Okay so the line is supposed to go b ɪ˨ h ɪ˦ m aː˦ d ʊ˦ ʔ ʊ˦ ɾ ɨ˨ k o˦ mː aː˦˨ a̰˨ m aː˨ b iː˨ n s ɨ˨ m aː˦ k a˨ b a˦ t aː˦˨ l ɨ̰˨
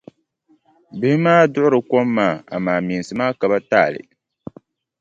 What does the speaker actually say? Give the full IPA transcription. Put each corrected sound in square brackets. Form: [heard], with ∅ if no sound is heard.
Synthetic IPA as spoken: b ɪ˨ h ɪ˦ m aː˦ d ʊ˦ ʔ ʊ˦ ɾ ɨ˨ k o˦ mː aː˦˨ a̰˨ m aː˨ [m] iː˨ n s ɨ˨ m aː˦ k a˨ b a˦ t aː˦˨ l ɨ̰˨